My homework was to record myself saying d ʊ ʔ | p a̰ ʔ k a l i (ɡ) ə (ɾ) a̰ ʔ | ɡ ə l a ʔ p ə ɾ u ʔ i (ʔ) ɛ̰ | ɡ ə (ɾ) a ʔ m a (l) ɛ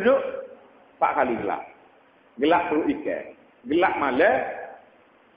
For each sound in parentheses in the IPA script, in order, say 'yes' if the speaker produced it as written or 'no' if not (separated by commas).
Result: yes, no, no, no, yes